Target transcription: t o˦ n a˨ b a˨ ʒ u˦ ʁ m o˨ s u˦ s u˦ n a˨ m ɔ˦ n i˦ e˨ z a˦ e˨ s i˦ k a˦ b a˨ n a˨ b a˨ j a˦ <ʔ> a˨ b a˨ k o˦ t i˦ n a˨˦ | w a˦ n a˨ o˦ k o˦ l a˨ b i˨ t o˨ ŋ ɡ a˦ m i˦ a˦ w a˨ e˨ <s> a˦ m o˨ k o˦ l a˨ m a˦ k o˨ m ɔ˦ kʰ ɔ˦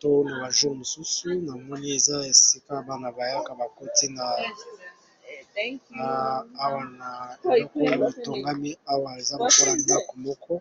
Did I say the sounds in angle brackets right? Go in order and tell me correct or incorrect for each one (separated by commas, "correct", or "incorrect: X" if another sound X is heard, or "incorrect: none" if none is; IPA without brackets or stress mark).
incorrect: k, incorrect: z